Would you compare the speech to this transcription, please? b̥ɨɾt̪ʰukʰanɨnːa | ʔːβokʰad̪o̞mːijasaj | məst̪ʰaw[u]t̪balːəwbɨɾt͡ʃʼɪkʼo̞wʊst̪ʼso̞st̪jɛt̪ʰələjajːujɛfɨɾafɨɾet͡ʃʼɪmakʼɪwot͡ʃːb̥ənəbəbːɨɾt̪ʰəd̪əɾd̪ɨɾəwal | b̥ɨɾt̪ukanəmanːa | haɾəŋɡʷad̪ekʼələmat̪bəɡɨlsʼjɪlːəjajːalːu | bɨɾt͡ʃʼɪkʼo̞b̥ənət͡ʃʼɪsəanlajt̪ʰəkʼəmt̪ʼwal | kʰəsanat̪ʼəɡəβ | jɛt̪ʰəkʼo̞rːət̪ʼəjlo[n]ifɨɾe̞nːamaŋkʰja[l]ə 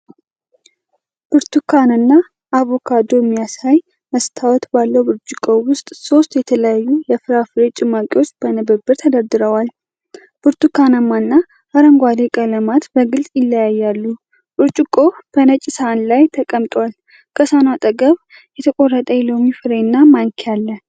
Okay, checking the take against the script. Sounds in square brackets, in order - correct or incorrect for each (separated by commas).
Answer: incorrect, incorrect, incorrect